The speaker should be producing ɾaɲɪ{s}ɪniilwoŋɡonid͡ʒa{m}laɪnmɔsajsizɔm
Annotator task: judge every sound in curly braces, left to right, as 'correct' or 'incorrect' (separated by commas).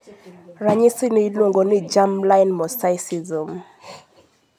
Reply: correct, correct